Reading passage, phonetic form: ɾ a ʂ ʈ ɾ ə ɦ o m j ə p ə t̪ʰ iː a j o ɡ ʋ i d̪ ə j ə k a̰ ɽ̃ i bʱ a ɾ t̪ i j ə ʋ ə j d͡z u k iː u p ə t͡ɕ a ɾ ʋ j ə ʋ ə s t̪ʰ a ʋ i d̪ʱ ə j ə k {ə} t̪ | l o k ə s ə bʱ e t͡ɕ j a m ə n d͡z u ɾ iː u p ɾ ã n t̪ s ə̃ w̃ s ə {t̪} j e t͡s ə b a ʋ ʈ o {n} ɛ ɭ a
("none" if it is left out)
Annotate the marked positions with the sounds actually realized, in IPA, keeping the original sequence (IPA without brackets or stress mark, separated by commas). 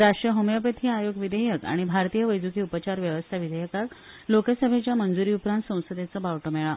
a, d̪, m